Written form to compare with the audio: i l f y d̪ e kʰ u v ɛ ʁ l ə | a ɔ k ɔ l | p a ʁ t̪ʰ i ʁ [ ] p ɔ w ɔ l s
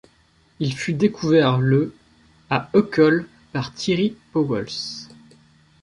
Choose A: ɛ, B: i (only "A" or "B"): B